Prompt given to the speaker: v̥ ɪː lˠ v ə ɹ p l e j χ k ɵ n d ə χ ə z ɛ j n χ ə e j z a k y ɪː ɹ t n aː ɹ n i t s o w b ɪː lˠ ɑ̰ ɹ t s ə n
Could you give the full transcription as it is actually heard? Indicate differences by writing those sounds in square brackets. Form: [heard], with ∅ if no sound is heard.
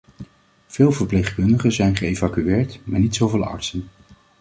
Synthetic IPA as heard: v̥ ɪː lˠ v ə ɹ p l e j χ k ɵ n d ə χ ə z ɛ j n χ ə e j [v] a k y ɪː ɹ t [m] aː ɹ n i t s o w [v] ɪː lˠ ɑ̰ ɹ t s ə n